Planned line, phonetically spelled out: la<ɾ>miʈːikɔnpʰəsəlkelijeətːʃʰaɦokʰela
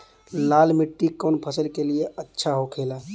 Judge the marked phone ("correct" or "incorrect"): incorrect